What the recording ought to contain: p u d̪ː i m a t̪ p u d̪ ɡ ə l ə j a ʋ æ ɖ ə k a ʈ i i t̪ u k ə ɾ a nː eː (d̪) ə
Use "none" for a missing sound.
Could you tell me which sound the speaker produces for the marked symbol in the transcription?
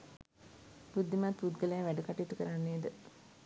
d̪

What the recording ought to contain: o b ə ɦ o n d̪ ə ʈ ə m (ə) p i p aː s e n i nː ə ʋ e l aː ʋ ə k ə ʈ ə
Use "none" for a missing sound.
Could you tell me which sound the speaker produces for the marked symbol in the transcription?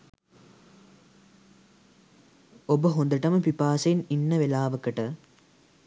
ə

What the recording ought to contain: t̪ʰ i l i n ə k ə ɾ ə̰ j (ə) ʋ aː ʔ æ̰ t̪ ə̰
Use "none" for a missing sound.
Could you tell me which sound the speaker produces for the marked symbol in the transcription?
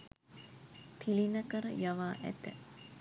a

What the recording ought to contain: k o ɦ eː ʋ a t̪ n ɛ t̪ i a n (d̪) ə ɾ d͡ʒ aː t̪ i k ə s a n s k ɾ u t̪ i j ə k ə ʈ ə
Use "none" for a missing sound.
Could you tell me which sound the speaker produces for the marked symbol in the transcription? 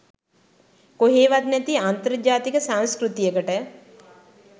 t̪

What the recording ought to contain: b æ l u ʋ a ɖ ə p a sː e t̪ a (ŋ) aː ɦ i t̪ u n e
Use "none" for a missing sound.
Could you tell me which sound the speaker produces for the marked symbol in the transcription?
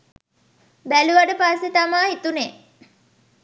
m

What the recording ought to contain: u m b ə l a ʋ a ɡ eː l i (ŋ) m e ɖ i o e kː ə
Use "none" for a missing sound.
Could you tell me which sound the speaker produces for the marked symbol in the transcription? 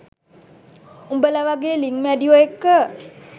ŋ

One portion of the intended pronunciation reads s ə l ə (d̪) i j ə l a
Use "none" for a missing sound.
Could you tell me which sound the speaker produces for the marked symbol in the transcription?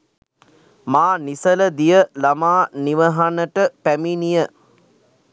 d̪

